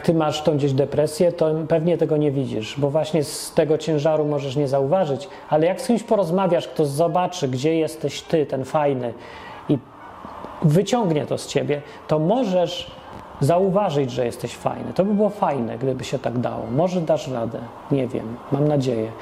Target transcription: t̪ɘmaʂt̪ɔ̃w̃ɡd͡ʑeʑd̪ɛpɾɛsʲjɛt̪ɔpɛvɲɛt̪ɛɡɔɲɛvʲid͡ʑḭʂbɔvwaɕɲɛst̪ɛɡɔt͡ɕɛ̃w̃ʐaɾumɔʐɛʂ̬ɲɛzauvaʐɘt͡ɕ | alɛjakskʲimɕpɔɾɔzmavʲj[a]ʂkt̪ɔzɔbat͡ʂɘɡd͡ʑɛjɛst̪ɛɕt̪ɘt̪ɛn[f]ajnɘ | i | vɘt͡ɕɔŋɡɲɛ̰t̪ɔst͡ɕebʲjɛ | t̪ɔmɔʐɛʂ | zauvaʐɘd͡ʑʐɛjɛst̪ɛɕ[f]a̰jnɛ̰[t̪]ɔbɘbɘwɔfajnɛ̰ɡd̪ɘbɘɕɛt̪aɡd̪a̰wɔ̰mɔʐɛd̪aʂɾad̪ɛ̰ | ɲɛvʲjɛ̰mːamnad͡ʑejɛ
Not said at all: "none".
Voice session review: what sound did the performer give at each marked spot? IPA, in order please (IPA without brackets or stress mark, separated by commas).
a, f, f, t̪